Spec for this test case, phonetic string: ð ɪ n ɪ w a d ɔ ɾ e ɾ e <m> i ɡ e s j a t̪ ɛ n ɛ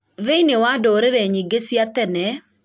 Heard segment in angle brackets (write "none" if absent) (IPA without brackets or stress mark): ɲ